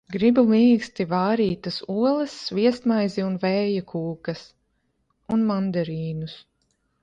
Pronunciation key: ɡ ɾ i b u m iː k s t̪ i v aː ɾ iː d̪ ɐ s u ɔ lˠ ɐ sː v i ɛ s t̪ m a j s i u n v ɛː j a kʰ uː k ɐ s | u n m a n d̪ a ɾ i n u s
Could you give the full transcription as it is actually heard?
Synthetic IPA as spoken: ɡ ɾ i b u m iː k s t̪ i v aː ɾ iː t̪ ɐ s u ɔ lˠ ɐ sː v i ɛ s t̪ m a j z i u n v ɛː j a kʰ uː k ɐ s | u n m a n d̪ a ɾ iː n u s